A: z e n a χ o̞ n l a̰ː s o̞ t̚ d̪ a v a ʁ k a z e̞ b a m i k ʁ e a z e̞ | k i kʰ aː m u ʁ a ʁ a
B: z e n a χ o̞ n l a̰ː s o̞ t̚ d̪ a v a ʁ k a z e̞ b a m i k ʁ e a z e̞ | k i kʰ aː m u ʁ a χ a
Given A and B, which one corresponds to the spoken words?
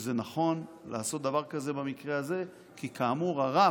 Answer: A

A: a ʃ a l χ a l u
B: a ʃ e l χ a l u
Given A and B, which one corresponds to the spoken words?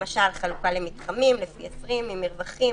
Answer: A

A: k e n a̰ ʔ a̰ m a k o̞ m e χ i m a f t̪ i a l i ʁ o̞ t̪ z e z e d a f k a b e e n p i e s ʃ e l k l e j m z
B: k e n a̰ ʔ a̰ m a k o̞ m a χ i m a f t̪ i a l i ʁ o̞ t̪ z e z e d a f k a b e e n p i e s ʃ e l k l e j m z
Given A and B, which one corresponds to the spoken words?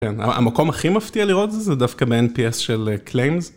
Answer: B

